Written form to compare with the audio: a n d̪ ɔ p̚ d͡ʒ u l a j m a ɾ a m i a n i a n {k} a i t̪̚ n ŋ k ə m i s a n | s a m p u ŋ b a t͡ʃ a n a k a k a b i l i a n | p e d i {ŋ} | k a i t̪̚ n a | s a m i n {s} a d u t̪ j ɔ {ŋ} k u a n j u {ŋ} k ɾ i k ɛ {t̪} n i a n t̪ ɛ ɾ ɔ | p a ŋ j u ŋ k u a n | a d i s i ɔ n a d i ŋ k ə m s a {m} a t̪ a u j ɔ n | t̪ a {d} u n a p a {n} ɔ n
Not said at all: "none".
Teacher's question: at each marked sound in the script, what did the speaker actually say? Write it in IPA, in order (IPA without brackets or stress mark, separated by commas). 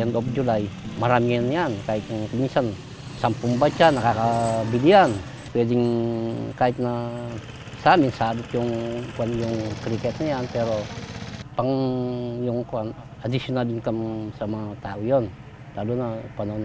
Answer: k, ŋ, s, ŋ, ŋ, t̪, m, d, n